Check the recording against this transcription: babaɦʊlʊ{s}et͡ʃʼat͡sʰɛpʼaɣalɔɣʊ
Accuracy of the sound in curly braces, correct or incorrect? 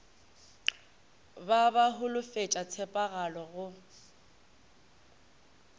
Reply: incorrect